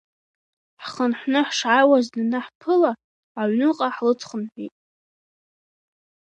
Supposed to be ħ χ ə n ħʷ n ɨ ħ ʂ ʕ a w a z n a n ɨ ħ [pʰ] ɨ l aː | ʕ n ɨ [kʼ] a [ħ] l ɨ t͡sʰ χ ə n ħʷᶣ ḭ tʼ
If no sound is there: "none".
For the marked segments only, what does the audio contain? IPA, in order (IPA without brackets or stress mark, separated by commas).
pʰ, qʼ, ħ